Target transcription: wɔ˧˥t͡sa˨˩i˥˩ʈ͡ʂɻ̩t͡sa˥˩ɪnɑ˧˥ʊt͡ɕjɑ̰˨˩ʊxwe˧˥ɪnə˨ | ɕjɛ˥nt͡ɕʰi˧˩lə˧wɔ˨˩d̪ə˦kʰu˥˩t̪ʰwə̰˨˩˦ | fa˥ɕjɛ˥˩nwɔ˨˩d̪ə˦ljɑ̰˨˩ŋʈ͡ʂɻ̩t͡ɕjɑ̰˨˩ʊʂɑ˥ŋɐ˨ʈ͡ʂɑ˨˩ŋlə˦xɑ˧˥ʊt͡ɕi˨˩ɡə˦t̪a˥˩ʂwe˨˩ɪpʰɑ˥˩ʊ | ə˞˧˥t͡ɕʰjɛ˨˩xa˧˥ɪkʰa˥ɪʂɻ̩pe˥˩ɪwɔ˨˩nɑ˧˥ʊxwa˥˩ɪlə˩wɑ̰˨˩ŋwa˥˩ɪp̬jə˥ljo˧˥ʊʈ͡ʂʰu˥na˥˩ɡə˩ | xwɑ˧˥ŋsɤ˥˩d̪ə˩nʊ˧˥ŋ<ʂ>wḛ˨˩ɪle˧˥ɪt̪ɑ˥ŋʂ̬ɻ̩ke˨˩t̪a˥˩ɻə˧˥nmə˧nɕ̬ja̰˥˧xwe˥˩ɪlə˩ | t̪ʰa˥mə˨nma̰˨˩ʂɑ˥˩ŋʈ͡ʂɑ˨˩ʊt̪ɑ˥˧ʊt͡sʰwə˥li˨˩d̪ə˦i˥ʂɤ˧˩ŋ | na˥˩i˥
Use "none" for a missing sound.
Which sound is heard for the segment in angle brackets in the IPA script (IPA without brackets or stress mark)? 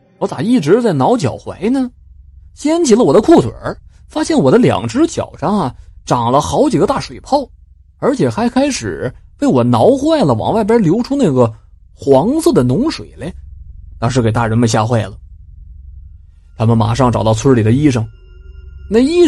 ʂ